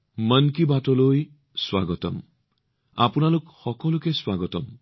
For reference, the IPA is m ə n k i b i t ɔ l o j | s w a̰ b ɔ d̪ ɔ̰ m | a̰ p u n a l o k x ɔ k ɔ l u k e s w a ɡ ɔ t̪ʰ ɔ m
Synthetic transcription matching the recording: m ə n k i b a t ɔ l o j | s w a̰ ɡ ɔ t̪ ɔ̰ m | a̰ p u n a l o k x ɔ k ɔ l u k e s w a ɡ ɔ t̪ ɔ m